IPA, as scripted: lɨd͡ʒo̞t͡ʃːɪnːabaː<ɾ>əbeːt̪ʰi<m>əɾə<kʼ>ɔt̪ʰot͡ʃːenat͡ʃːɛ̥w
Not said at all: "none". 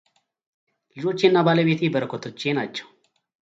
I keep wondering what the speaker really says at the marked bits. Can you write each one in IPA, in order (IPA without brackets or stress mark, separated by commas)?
l, b, k